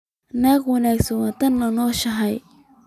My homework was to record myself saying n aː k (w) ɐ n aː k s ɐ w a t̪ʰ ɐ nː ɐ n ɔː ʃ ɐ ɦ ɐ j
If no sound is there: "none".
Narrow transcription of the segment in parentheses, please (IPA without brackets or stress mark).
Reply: w